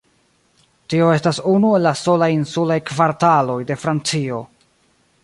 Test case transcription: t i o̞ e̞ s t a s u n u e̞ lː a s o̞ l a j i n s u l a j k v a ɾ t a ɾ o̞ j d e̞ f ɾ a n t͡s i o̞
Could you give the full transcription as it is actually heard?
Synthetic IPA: t i o̞ e̞ s t a s u n u e̞ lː a s o̞ l a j i n s u l a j k v a ɾ t a l o̞ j d e̞ f ɾ a n t͡s i o̞